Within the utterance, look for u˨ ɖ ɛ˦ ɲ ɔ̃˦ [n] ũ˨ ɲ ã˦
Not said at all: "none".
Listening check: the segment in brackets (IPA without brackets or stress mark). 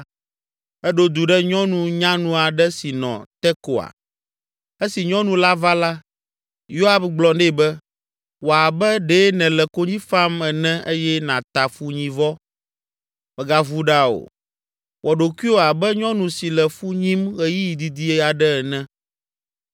n